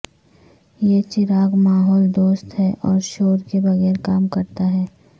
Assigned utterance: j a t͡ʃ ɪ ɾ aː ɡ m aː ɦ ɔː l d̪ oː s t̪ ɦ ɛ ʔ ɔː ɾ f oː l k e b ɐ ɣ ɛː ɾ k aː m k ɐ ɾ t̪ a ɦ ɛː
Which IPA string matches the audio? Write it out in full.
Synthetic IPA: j e t͡ʃ ɪ ɾ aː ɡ m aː ɦ ɔː l d̪ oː s t̪ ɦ ɛ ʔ ɔː ɾ ʃ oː ɾ k e b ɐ ɣ ɛː ɾ k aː m k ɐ ɾ t̪ a ɦ ɛː